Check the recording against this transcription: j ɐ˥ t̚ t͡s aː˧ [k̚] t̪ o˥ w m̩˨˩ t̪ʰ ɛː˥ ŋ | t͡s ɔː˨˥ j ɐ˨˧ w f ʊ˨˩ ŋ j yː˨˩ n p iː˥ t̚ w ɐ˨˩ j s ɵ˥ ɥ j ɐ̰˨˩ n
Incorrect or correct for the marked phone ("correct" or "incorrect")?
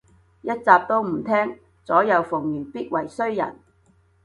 incorrect